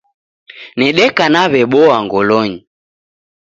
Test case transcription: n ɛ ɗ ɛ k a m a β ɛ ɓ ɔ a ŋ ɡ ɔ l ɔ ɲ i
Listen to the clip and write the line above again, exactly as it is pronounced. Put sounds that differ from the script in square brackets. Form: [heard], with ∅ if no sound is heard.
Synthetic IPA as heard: n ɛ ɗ ɛ k a [n] a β ɛ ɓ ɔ a ŋ ɡ ɔ l ɔ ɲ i